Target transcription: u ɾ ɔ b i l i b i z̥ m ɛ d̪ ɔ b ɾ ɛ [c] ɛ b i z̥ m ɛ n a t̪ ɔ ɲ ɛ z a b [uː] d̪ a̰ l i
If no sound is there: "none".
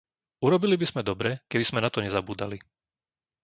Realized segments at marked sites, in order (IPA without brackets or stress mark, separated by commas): k, uː